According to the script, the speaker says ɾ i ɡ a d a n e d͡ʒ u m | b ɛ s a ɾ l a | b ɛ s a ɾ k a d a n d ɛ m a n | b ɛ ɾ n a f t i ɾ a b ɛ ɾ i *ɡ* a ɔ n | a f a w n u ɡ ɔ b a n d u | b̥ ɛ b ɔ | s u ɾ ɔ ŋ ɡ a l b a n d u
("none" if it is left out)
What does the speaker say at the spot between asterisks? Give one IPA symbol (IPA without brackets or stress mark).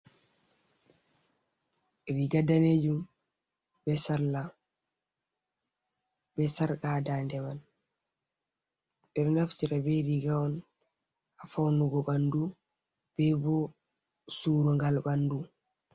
ɡ